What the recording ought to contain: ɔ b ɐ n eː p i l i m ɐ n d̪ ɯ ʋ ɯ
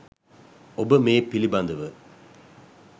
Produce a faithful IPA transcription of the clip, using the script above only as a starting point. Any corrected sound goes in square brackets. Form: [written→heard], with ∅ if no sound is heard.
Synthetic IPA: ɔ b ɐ [n→m] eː p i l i [m→b] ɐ n d̪ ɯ ʋ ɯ